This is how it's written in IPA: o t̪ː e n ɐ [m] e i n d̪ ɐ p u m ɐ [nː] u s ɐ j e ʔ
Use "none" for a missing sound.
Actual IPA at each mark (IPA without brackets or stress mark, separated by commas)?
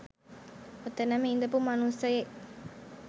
m, n